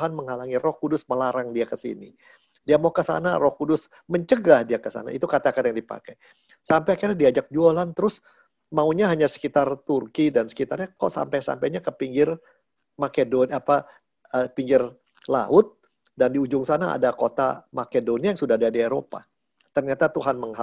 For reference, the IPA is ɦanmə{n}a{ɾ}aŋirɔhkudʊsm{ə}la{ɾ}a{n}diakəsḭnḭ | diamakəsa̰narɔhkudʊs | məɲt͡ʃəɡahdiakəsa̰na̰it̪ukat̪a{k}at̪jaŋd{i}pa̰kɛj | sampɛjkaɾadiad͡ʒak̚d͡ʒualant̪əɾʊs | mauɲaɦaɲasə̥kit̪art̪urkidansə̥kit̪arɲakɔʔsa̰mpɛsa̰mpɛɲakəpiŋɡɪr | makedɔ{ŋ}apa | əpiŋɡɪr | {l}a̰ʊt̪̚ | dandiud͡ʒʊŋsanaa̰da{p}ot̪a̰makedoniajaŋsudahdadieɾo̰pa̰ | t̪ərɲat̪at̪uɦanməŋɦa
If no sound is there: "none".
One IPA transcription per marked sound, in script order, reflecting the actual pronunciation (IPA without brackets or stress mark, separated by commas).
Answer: ŋ, l, ə, ɾ, ŋ, k, i, n, l, k